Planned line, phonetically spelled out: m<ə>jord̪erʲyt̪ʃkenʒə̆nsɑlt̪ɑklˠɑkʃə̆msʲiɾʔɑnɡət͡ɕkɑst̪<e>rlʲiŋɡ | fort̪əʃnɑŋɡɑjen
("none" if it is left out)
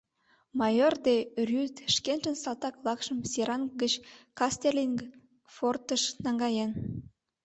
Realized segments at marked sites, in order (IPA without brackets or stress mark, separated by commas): ɑ, e